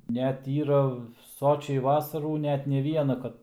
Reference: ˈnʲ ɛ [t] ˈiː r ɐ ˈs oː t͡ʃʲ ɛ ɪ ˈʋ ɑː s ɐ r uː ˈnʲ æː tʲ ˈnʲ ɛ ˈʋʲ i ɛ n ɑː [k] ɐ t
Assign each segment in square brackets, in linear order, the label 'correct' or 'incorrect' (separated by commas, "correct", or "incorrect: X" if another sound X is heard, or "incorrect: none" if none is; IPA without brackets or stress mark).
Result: correct, correct